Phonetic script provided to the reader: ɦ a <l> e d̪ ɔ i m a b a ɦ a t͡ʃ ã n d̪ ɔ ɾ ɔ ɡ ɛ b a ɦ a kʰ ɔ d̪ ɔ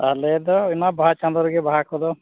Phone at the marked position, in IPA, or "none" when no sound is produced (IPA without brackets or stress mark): l